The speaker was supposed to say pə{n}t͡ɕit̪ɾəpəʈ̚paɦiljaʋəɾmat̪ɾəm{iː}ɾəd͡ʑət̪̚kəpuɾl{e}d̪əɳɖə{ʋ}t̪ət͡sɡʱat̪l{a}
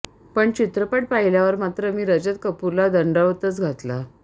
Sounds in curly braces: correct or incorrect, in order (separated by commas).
incorrect, correct, incorrect, correct, correct